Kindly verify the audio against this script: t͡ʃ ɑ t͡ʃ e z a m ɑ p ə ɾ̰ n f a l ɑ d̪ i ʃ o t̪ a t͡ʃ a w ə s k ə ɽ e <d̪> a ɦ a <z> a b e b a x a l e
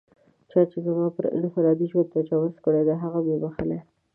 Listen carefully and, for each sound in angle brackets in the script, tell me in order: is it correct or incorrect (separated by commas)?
correct, incorrect